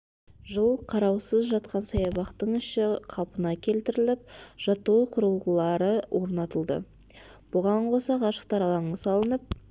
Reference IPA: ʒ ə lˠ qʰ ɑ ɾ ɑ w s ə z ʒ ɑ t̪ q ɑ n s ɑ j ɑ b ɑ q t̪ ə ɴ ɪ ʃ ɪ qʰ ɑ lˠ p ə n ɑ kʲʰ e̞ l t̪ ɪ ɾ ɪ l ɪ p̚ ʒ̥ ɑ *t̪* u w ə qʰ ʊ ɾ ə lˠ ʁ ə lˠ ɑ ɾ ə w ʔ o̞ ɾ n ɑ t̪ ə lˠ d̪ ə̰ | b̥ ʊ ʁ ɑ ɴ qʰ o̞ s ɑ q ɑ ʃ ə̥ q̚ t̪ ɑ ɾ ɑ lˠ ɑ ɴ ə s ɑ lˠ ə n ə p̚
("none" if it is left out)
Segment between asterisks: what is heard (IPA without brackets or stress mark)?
t̪